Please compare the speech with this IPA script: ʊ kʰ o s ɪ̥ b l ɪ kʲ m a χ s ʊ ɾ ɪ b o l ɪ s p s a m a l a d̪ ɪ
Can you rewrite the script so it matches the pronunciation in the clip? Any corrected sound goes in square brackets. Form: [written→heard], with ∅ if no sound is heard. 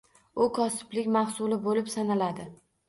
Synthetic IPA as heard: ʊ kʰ [o→ɒ] s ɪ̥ b l ɪ kʲ m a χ s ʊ [ɾ→l] ɪ b o l ɪ [s→∅] p s a [m→n] a l a d̪ ɪ